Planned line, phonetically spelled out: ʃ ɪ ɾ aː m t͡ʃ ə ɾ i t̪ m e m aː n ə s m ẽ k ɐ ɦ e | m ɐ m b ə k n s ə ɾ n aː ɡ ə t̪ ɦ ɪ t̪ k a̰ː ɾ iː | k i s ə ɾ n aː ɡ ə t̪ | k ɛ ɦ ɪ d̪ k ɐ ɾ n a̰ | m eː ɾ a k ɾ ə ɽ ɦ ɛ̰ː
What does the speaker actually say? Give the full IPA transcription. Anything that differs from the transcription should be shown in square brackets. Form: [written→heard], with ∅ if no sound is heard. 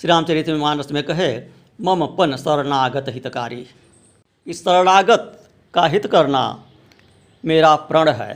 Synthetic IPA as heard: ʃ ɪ ɾ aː m t͡ʃ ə ɾ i t̪ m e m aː n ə s m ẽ k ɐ ɦ e | m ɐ m [b→p] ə [k→∅] n s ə ɾ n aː ɡ ə t̪ ɦ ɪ t̪ k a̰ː ɾ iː | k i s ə ɾ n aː ɡ ə t̪ | k [ɛ→a] ɦ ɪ [d̪→t̪] k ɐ ɾ n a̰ | m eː ɾ a [k→p] ɾ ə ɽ ɦ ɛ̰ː